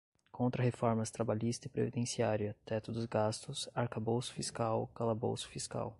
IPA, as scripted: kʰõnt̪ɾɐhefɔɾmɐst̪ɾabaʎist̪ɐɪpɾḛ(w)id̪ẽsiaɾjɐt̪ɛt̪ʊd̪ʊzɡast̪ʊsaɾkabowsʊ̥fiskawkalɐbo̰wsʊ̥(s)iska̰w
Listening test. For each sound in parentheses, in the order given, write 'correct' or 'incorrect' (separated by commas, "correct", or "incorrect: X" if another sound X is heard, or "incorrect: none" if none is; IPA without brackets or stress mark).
incorrect: v, incorrect: f